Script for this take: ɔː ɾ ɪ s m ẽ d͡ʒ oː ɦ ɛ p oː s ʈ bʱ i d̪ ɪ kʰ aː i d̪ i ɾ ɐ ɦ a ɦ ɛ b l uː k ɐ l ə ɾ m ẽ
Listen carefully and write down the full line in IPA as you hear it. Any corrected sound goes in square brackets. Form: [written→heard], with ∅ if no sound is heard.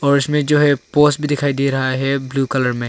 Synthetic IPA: ɔː ɾ ɪ s m ẽ d͡ʒ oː ɦ ɛ p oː s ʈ bʱ i d̪ ɪ kʰ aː i d̪ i ɾ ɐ ɦ a ɦ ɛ b l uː k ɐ l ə ɾ m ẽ

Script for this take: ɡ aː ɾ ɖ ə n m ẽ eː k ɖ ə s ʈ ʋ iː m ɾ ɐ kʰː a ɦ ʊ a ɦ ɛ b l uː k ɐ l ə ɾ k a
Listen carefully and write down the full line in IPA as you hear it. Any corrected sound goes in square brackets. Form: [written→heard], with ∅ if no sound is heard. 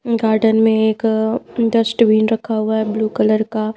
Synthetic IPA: ɡ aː ɾ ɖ ə n m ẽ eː k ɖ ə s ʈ ʋ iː [m→n] ɾ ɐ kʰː a ɦ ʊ a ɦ ɛ b l uː k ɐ l ə ɾ k a

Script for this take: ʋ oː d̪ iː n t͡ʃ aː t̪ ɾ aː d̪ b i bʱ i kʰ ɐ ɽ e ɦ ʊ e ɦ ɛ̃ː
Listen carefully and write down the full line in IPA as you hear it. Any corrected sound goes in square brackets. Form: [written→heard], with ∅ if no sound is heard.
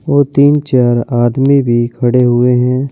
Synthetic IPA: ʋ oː [d̪→t̪] iː n t͡ʃ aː [t̪→∅] ɾ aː d̪ [b→m] i bʱ i kʰ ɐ ɽ e ɦ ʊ e ɦ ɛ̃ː

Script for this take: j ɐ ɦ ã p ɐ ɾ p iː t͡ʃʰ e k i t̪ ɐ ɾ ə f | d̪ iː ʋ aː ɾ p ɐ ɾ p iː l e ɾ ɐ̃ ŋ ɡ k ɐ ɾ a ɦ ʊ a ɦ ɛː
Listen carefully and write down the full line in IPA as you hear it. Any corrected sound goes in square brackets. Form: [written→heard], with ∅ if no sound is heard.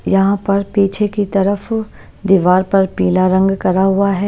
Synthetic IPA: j ɐ ɦ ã p ɐ ɾ p iː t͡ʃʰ e k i t̪ ɐ ɾ ə f | d̪ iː ʋ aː ɾ p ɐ ɾ p iː l [e→a] ɾ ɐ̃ ŋ ɡ k ɐ ɾ a ɦ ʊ a ɦ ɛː

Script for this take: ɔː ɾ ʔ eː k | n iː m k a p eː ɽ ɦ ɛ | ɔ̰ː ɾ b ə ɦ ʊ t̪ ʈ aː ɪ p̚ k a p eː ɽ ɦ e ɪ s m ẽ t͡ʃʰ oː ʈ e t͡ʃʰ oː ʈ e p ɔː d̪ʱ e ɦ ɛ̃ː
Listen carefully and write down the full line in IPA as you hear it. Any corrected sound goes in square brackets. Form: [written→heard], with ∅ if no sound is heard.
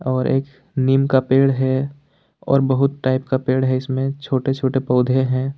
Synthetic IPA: ɔː ɾ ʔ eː k | n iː m k a p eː ɽ ɦ ɛ | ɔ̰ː ɾ b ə ɦ ʊ t̪ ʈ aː ɪ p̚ k a p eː ɽ ɦ [e→ɛ] ɪ s m ẽ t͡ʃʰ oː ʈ e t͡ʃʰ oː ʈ e p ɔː d̪ʱ e ɦ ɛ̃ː

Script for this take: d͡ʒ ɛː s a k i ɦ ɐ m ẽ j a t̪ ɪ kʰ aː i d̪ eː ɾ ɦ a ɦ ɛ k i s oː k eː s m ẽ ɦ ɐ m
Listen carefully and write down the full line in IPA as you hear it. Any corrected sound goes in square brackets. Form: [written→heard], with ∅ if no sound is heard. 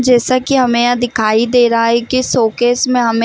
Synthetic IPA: d͡ʒ ɛː s a k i ɦ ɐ m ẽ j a [t̪→d̪] ɪ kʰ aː i d̪ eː ɾ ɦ a ɦ ɛ k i s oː k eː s m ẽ ɦ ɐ m

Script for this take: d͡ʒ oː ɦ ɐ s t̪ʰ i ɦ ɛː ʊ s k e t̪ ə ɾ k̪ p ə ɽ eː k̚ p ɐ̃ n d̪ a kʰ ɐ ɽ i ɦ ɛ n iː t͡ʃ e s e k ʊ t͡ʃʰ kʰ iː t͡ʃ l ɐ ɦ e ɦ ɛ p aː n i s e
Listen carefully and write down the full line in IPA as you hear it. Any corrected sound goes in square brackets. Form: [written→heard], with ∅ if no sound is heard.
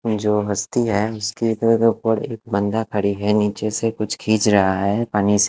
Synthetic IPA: d͡ʒ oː ɦ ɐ s [t̪ʰ→t̪] i ɦ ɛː ʊ s k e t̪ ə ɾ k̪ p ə ɽ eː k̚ [p→b] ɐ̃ n d̪ a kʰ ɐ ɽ i ɦ ɛ n iː t͡ʃ e s e k ʊ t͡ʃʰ kʰ iː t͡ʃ [l→ɾ] ɐ ɦ [e→a] ɦ ɛ p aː n i s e

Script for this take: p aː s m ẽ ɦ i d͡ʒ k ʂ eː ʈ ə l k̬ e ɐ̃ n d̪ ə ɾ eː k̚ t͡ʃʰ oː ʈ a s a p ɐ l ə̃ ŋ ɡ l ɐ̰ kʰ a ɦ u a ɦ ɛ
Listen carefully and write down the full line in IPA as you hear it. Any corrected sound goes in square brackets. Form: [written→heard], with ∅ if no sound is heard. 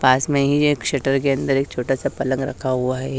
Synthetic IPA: p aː s m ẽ ɦ i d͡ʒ k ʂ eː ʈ ə [l→ɾ] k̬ e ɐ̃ n d̪ ə ɾ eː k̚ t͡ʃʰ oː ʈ a s a p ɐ l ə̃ ŋ ɡ [l→ɾ] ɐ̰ kʰ a ɦ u a ɦ ɛ

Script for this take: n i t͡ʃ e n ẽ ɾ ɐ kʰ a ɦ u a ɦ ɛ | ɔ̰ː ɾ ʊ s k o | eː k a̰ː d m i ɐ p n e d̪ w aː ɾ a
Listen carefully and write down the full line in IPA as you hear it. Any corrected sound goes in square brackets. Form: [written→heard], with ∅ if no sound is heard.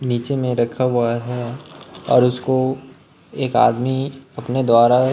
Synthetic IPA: n [i→iː] t͡ʃ e [n→m] ẽ ɾ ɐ kʰ a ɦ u a ɦ ɛ | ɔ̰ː ɾ ʊ s k o | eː k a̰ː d m i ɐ p n e d̪ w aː ɾ a

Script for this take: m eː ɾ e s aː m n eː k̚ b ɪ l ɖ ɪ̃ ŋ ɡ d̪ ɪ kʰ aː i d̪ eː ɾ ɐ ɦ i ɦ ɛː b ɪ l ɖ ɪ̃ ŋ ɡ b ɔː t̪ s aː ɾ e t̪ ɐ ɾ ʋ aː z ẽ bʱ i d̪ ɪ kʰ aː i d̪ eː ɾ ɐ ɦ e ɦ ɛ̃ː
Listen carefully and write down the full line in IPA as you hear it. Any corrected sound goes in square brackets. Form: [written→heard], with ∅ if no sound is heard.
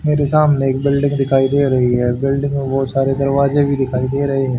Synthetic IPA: m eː ɾ e s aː m n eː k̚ b ɪ l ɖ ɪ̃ ŋ ɡ d̪ ɪ kʰ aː i d̪ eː ɾ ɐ ɦ i ɦ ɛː b ɪ l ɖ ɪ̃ ŋ ɡ b ɔː t̪ s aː ɾ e [t̪→d̪] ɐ ɾ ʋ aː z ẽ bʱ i d̪ ɪ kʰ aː i d̪ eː ɾ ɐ ɦ e ɦ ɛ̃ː

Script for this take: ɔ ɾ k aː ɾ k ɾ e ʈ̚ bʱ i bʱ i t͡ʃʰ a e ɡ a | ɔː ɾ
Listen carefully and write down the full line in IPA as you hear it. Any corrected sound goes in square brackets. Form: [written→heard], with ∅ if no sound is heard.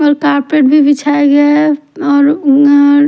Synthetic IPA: ɔ ɾ k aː ɾ [k→p] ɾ e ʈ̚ bʱ i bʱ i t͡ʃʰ a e ɡ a | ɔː ɾ

